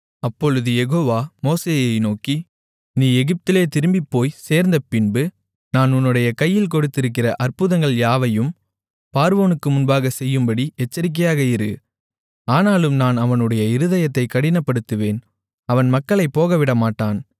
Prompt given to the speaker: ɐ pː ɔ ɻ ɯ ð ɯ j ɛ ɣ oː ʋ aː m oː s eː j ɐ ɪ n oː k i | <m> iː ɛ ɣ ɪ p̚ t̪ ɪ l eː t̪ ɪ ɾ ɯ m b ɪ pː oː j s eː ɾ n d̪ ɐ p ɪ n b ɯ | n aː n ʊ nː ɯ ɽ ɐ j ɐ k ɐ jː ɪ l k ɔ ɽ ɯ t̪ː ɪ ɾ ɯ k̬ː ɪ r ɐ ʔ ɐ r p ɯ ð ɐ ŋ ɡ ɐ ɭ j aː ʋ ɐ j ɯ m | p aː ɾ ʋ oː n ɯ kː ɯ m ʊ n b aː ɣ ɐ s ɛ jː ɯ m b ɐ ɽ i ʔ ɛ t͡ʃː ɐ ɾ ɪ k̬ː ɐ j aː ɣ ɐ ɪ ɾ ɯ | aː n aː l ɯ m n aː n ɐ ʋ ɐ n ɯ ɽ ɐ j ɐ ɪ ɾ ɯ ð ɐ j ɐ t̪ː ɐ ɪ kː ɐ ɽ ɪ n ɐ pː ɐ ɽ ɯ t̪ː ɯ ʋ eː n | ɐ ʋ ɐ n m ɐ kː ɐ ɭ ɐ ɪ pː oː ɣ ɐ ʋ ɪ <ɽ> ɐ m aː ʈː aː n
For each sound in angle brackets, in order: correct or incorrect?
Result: incorrect, correct

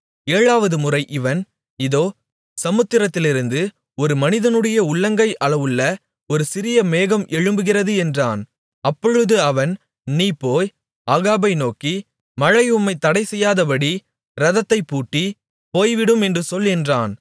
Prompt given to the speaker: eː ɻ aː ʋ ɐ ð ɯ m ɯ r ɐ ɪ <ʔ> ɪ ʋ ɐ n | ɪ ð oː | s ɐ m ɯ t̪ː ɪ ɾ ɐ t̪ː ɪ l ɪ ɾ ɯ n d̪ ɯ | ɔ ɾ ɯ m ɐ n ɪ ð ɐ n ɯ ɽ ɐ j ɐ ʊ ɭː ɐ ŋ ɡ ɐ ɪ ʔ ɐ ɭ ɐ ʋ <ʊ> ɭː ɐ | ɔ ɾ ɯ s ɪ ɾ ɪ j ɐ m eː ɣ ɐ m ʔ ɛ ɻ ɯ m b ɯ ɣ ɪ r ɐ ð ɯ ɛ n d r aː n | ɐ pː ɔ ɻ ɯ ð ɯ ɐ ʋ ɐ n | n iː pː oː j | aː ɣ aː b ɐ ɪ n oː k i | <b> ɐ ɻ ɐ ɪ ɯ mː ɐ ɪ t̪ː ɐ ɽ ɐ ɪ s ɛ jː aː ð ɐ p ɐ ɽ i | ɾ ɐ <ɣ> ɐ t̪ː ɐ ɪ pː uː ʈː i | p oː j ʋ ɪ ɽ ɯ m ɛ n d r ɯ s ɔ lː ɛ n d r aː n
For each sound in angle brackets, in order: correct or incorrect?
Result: correct, incorrect, incorrect, incorrect

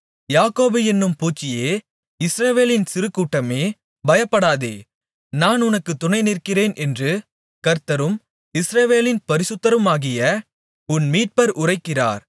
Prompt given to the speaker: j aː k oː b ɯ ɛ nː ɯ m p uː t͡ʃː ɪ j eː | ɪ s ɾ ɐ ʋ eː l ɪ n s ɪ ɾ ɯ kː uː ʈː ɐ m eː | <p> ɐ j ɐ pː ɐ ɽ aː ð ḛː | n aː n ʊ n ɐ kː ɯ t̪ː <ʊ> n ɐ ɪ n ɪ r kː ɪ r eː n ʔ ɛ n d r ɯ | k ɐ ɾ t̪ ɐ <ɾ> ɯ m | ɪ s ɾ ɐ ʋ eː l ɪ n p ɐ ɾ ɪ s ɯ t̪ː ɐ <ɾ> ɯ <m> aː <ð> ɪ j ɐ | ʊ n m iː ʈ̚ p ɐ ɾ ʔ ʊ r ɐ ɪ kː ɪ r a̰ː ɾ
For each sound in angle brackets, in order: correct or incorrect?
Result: incorrect, correct, correct, correct, correct, incorrect

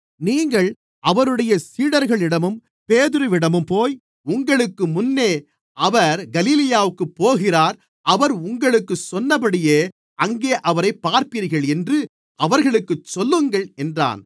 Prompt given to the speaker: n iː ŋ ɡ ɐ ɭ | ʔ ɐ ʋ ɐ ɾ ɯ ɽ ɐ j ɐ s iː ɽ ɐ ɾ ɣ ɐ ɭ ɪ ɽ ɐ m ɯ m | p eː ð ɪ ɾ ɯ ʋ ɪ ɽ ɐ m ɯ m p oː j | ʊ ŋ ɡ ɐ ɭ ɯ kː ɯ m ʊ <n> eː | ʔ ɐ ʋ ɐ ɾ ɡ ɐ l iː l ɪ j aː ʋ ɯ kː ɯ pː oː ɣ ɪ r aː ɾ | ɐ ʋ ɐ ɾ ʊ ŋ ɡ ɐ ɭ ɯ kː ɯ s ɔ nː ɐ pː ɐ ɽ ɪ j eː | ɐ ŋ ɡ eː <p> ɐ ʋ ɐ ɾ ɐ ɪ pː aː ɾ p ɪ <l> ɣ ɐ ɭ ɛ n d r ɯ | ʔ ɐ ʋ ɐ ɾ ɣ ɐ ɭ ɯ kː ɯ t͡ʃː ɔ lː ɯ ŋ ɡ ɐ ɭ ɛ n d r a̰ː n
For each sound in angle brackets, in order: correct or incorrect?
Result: incorrect, incorrect, incorrect

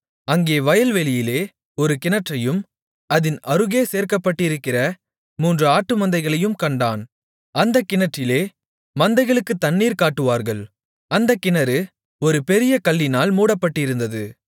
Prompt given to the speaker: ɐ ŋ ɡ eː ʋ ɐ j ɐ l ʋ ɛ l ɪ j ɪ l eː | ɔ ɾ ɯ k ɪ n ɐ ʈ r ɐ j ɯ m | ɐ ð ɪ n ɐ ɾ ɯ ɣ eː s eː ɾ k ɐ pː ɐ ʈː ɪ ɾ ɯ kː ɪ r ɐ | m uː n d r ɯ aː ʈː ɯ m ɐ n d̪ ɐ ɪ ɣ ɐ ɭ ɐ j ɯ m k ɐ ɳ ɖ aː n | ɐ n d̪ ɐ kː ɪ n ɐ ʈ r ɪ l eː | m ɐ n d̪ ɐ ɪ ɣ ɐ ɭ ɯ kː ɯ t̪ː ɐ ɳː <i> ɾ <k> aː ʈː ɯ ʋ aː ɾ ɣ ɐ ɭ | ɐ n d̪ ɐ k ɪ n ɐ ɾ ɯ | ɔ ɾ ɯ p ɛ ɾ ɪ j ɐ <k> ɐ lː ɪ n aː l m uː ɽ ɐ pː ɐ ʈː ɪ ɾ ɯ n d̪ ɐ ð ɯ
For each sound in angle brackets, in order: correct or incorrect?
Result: incorrect, correct, correct

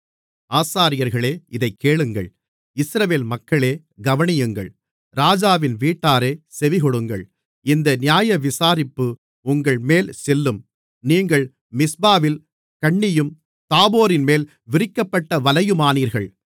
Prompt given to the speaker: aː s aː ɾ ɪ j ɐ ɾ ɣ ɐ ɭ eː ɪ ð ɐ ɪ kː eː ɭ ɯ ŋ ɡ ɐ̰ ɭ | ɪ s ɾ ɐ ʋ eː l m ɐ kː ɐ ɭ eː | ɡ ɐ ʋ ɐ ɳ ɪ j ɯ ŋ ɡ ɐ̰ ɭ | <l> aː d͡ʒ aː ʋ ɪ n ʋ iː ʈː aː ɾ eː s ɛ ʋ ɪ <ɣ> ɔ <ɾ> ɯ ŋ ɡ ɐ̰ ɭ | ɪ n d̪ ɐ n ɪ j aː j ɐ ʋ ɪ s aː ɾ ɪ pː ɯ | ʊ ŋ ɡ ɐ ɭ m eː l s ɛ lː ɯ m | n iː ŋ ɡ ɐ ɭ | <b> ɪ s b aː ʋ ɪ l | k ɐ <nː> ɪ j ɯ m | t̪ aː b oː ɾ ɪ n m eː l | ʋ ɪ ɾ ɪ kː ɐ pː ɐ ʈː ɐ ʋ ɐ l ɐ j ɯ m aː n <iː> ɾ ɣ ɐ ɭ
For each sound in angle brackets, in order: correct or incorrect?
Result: incorrect, correct, incorrect, incorrect, incorrect, correct

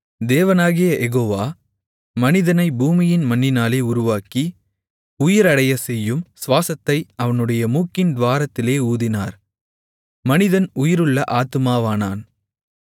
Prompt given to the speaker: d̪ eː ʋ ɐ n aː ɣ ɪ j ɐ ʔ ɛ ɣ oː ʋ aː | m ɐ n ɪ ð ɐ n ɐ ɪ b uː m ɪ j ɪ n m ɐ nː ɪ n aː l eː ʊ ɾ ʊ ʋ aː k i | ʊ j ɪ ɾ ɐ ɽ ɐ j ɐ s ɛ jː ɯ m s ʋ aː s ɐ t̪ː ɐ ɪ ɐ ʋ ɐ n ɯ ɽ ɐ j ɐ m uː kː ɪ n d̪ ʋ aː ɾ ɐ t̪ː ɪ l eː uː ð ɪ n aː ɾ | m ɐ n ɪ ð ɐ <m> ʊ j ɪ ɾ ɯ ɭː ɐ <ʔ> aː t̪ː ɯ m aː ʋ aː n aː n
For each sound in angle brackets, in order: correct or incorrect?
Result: incorrect, correct

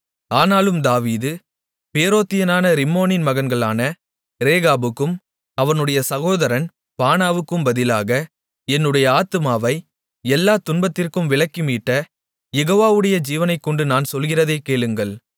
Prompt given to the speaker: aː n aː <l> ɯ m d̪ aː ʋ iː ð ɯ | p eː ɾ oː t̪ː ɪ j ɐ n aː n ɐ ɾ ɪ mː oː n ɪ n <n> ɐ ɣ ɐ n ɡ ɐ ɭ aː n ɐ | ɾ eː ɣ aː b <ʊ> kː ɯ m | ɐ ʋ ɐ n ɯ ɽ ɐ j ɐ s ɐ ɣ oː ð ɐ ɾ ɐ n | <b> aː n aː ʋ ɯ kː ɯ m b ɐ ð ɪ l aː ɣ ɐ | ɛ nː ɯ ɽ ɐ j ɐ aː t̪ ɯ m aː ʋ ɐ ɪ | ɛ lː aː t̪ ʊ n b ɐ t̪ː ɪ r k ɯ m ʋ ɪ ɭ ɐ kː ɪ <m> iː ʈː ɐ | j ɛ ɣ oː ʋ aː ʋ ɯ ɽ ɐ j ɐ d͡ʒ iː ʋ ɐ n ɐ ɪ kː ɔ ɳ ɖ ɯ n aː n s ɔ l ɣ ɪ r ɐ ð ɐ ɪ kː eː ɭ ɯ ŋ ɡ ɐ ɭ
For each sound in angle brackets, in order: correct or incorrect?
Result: correct, incorrect, incorrect, incorrect, correct

